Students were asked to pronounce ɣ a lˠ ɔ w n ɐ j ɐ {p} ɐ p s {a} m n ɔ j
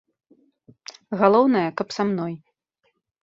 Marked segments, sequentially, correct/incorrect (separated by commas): incorrect, correct